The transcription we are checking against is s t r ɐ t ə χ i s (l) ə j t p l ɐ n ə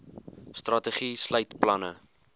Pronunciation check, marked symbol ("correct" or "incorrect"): correct